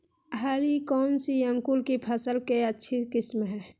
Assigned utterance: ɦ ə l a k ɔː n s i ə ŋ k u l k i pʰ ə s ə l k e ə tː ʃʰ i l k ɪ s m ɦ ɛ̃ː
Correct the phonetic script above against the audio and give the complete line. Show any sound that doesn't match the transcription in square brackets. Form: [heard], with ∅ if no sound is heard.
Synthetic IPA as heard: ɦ [a] l [i] k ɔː n s i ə ŋ k u l k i pʰ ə s ə l k e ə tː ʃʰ i [∅] k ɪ s m ɦ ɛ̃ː